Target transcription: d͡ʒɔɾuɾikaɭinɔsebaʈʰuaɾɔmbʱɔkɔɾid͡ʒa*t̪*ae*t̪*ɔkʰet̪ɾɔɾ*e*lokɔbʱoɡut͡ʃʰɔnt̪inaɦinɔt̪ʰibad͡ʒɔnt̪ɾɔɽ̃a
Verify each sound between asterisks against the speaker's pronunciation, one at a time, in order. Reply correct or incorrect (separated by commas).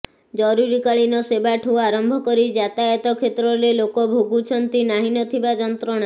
correct, correct, correct